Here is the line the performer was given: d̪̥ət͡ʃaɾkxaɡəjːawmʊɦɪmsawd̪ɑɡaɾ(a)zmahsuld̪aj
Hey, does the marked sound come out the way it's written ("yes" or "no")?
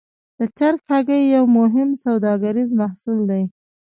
no